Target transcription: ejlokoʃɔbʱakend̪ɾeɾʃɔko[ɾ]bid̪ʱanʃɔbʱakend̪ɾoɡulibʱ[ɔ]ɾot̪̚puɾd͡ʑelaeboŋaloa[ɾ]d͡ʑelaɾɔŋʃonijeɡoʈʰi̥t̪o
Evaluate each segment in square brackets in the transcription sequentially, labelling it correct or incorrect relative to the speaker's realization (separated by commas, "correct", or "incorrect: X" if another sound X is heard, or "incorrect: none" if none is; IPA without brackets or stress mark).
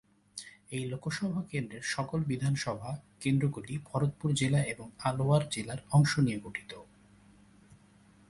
incorrect: l, correct, correct